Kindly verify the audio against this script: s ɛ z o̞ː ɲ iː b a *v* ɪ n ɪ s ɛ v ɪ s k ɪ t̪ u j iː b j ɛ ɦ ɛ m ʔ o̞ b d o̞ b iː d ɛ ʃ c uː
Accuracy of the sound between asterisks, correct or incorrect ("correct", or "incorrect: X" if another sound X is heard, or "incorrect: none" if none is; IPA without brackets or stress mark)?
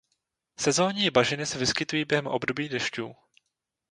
incorrect: ʒ